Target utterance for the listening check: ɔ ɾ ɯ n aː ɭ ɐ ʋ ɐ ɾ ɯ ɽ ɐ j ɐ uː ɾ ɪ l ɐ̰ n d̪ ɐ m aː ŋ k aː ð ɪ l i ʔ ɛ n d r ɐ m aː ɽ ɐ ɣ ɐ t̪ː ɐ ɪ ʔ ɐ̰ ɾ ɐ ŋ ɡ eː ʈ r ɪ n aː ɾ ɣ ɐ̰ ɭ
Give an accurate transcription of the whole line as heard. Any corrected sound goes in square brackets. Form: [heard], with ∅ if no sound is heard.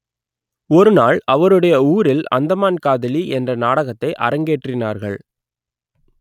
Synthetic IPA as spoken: ɔ ɾ ɯ n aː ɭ ɐ ʋ ɐ ɾ ɯ ɽ ɐ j ɐ uː ɾ ɪ l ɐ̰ n d̪ ɐ m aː [n] k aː ð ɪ l i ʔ ɛ n d r ɐ [n] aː ɽ ɐ ɣ ɐ t̪ː ɐ ɪ ʔ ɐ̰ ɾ ɐ ŋ ɡ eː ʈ r ɪ n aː ɾ ɣ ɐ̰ ɭ